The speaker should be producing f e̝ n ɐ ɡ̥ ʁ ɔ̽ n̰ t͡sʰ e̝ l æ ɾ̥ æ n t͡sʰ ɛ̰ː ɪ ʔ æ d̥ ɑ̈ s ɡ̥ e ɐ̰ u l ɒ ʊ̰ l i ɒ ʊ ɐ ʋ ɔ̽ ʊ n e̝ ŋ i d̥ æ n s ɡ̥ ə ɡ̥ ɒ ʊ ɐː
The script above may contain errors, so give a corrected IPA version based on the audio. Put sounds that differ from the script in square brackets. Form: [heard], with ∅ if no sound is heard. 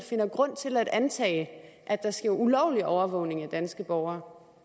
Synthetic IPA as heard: f e̝ n ɐ ɡ̥ ʁ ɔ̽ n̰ t͡sʰ e̝ l æ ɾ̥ æ n t͡sʰ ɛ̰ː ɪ ʔ æ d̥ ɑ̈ s ɡ̥ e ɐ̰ u l ɒ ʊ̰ l i ɒ ʊ ɐ ʋ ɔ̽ ʊ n e̝ ŋ [æ] d̥ æ n s ɡ̥ ə [b̥] ɒ ʊ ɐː